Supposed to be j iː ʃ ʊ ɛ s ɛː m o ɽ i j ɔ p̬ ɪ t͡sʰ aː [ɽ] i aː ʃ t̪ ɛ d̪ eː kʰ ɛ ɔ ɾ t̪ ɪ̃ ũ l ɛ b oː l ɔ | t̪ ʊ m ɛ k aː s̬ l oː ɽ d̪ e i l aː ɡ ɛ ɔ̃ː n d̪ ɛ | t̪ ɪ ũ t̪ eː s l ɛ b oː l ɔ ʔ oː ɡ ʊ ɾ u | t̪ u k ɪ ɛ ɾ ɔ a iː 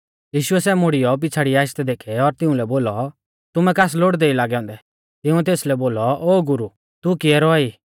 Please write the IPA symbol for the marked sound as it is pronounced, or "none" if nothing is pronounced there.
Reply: ɽ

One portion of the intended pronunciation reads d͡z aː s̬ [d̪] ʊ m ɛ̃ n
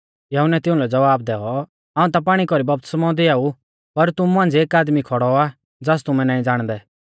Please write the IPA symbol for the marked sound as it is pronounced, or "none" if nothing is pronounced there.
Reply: t̪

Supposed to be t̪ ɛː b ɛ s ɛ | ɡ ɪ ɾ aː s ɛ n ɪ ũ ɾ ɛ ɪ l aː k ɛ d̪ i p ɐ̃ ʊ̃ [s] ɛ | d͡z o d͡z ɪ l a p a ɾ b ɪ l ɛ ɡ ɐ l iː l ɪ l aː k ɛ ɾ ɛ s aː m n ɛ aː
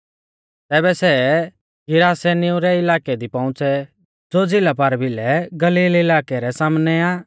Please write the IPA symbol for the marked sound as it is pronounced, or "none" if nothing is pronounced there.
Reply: t͡s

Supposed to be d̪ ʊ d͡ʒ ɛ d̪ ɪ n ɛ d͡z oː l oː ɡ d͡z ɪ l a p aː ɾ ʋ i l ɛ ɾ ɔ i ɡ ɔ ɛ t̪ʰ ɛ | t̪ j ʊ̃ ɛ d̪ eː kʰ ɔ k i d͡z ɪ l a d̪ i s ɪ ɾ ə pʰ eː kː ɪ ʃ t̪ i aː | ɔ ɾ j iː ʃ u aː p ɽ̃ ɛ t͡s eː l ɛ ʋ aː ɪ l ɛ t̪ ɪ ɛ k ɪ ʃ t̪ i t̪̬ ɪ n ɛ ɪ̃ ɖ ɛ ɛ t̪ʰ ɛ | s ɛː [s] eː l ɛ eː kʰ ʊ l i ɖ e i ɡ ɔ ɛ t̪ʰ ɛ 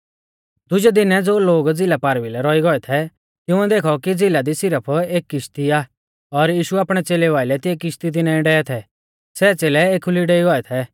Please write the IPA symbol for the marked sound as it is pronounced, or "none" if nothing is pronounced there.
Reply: t͡s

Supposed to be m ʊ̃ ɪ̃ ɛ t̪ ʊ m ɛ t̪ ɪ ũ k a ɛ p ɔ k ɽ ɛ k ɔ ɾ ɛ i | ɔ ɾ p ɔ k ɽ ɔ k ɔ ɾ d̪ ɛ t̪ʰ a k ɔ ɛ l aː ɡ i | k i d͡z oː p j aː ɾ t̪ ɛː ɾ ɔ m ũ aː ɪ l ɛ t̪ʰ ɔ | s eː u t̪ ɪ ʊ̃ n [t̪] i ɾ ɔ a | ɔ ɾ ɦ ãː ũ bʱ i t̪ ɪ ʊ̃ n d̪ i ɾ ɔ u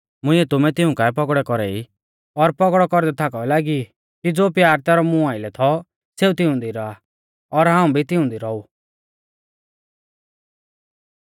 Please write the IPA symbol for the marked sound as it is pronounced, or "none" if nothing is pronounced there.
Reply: d̪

